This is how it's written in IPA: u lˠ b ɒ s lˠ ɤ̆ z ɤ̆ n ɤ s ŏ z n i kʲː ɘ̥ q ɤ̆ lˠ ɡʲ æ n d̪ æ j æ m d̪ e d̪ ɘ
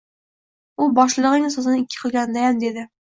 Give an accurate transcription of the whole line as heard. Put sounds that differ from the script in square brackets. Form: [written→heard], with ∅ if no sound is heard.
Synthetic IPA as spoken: u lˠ b ɒ [s→ʃ] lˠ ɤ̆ [z→ʁ] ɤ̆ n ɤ s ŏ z n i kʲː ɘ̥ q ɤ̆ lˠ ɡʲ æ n d̪ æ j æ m d̪ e d̪ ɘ